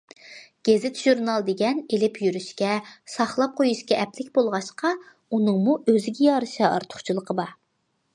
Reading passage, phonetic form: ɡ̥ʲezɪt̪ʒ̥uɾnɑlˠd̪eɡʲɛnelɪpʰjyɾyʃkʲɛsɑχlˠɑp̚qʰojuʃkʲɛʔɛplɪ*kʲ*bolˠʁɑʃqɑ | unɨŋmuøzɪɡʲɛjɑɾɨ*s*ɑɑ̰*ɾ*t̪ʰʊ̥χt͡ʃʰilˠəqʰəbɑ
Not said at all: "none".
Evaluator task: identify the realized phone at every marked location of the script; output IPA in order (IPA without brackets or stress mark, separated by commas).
kʲ, ʃ, ɾ